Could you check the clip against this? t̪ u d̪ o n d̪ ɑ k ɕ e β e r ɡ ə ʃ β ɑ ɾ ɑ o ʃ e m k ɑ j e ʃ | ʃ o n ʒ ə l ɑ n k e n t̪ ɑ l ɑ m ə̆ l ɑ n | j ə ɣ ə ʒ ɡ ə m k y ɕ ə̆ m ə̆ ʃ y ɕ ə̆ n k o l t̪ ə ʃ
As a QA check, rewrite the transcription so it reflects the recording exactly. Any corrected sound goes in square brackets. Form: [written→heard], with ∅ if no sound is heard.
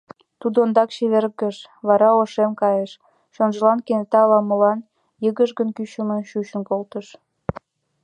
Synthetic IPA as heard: t̪ u d̪ o n d̪ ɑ k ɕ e β e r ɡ ə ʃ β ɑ ɾ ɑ o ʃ e m k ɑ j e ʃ | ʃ o n ʒ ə l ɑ n k e n t̪ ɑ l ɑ m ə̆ l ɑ n | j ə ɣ ə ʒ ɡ ə [m→n] k y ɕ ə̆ m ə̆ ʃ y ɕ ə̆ n k o l t̪ ə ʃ